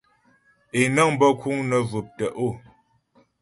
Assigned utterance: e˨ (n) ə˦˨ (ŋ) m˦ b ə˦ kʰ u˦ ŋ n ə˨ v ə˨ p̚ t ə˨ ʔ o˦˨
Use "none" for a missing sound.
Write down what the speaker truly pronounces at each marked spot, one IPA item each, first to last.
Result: n, ŋ

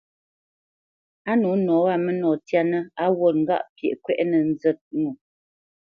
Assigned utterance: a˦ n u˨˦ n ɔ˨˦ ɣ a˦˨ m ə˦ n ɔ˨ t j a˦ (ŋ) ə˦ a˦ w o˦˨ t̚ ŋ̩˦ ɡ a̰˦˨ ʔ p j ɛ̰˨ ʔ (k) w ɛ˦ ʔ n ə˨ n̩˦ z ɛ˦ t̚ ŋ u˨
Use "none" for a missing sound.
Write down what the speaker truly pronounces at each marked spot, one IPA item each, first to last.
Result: n, k

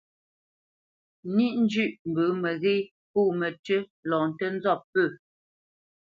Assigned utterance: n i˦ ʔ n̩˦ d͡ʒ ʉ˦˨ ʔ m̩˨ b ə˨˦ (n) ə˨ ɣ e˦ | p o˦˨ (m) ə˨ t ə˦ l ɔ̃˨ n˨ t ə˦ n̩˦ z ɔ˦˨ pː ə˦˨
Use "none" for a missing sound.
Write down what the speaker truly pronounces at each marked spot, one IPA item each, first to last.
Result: m, m

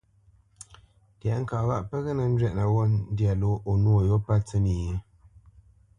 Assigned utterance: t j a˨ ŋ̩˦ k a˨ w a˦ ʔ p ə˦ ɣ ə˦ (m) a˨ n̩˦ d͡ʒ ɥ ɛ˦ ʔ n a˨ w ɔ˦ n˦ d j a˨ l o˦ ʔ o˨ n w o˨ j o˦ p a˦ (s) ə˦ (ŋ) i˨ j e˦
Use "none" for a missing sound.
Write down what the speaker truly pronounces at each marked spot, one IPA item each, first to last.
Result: n, t͡s, n

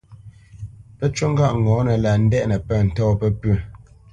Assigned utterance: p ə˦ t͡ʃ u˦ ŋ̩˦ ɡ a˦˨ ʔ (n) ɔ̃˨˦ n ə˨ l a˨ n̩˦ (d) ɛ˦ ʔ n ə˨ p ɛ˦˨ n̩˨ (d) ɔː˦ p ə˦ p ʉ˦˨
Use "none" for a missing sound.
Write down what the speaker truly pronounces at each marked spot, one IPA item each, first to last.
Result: ŋ, d, t

